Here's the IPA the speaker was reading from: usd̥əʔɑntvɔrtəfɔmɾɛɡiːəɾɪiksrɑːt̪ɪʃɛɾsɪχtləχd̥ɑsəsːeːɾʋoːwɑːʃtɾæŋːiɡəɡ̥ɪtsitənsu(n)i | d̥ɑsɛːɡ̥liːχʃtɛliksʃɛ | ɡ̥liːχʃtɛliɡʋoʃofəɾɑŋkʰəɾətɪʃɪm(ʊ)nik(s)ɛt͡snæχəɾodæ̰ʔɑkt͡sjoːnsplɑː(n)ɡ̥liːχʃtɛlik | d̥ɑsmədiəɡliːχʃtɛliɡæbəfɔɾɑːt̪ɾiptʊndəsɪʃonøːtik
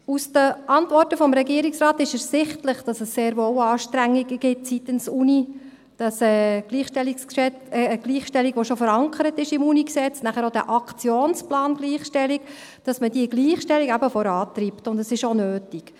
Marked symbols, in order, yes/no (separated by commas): yes, no, yes, yes